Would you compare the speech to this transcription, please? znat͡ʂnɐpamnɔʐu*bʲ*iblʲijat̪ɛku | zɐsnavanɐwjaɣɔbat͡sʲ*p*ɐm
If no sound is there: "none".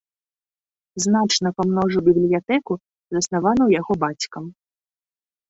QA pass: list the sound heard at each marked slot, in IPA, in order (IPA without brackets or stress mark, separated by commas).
bʲ, k